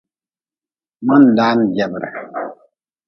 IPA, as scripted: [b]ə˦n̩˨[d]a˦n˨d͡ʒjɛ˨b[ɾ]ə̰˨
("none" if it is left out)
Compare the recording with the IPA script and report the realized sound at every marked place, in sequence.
m, d, ɾ

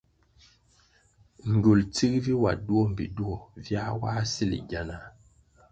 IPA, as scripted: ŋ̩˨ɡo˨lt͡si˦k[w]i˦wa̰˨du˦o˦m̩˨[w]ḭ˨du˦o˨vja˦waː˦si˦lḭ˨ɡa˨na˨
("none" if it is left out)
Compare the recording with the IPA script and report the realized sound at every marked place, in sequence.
v, b

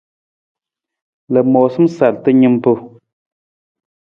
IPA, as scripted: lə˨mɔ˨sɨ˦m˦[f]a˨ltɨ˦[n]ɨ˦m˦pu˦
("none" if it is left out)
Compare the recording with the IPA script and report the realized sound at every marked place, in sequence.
s, ɲ

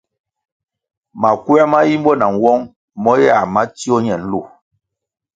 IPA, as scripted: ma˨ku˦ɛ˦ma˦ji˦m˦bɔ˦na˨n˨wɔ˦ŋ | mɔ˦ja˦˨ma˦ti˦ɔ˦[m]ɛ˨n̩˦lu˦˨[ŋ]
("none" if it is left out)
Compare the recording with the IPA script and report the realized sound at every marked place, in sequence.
ɲ, none

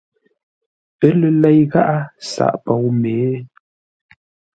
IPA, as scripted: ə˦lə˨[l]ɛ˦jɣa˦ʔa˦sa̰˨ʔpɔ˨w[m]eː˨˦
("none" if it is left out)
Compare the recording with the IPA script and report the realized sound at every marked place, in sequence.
l, m

